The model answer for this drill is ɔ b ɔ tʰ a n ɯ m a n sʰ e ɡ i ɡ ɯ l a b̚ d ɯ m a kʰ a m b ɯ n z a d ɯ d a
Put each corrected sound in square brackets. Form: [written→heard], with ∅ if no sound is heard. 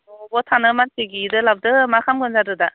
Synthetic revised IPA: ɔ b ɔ tʰ a n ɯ m a n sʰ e ɡ i [ɡ→d] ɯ l a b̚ d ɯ m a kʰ a m [b→ɡ] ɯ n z a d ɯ d a